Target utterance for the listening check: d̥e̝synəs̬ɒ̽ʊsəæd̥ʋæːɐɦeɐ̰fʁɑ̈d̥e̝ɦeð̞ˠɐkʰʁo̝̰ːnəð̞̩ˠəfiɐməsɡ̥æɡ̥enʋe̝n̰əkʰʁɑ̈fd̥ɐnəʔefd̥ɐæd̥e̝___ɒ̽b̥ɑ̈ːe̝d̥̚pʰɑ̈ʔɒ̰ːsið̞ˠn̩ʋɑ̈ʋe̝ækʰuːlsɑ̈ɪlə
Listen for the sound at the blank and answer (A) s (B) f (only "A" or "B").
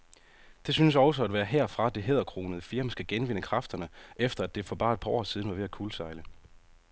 B